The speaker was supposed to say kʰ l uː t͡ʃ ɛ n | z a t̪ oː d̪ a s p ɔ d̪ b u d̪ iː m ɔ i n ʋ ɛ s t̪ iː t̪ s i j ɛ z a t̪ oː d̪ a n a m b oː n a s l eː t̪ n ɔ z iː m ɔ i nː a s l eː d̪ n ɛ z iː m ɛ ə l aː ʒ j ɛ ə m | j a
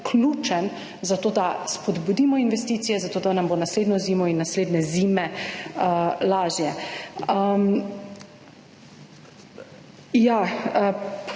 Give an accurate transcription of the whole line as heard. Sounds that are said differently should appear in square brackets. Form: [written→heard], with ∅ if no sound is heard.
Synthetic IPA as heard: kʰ l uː t͡ʃ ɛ n | z a t̪ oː d̪ a s p ɔ d̪ b u d̪ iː m ɔ i n ʋ ɛ s t̪ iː t̪ s i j ɛ z a t̪ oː d̪ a n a m b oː n a s l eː [t̪→d̪] n ɔ z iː m ɔ i nː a s l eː d̪ n ɛ z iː m ɛ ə l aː ʒ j ɛ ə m | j a